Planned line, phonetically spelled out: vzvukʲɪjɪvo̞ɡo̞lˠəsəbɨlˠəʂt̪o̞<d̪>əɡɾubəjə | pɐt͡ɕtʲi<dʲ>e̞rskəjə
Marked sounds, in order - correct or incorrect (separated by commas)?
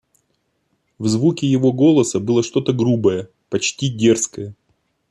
incorrect, correct